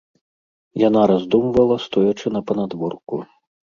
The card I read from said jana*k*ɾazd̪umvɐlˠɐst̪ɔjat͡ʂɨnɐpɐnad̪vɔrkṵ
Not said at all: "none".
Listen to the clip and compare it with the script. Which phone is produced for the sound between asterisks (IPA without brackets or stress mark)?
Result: none